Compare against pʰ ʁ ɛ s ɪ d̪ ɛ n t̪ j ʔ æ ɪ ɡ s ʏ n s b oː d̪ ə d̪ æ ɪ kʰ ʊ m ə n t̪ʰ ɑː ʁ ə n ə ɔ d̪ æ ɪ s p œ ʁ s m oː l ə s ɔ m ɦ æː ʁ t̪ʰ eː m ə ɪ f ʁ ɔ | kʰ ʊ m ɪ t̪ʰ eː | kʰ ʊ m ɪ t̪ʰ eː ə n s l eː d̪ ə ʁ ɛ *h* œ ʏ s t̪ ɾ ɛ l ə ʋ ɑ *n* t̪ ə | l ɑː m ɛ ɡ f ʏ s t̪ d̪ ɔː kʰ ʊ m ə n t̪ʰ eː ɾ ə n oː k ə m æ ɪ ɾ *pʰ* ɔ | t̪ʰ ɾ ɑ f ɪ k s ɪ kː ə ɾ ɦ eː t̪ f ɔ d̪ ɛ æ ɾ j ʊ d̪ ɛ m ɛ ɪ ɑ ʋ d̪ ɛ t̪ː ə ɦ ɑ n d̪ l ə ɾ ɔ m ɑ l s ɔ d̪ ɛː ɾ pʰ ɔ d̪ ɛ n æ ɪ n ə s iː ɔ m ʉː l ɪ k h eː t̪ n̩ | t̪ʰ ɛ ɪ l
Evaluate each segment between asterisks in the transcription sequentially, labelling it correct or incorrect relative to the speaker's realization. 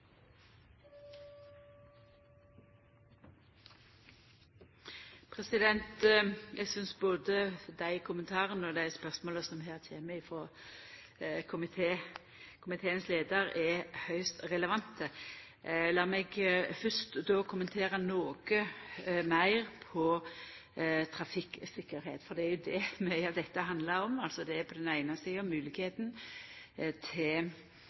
correct, correct, correct

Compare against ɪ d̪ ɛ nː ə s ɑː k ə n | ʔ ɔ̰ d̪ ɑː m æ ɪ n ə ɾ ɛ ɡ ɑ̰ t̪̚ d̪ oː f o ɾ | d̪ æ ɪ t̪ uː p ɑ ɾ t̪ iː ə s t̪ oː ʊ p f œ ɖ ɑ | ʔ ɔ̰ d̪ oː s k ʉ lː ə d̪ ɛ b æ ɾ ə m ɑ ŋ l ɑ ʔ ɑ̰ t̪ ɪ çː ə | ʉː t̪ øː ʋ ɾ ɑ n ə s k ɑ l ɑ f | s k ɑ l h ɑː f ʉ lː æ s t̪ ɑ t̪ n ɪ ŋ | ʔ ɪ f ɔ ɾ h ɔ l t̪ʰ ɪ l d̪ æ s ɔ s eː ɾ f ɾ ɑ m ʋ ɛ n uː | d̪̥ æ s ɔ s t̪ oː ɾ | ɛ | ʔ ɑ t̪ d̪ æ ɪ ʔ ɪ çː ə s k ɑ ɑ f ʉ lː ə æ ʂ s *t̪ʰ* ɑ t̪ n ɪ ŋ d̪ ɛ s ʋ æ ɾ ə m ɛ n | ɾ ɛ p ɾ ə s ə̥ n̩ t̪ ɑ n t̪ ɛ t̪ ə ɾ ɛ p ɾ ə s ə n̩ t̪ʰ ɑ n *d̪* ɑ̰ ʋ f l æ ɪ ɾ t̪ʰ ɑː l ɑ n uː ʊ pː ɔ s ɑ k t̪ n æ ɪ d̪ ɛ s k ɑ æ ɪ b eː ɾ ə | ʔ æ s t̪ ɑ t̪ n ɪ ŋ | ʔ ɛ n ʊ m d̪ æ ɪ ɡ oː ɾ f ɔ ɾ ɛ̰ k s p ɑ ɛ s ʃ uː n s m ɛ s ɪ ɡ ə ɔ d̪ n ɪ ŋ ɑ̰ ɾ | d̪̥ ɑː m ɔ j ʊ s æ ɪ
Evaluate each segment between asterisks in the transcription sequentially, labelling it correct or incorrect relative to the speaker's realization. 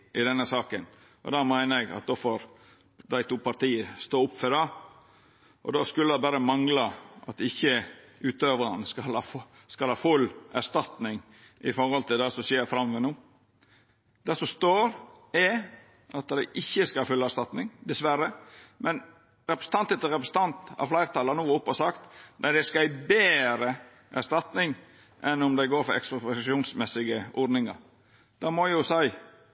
incorrect: t̪, incorrect: t̪

